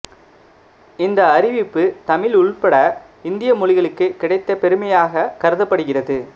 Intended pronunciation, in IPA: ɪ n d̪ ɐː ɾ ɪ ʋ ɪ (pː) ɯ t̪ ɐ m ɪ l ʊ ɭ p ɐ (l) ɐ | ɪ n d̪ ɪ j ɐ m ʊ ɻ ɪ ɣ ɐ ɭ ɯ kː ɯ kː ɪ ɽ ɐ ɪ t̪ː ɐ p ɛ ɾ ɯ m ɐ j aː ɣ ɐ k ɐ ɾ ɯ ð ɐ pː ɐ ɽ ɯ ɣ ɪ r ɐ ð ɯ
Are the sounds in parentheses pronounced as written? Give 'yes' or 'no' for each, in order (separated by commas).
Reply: yes, no